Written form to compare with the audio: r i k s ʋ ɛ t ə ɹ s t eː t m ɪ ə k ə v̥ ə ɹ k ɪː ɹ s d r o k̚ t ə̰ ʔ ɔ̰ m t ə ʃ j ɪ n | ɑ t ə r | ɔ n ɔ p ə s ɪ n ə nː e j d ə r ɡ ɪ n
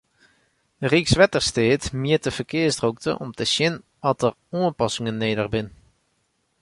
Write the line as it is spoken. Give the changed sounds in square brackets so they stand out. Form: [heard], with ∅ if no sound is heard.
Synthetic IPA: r i k s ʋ ɛ t ə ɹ s t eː t m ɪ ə [t] ə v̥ ə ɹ k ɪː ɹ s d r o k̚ t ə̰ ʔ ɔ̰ m t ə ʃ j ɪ n | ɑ t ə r | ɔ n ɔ p [ɑ] s ɪ [ŋ] ə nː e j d ə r [b] ɪ n